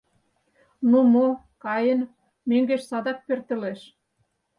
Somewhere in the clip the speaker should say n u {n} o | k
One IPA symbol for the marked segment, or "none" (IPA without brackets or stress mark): m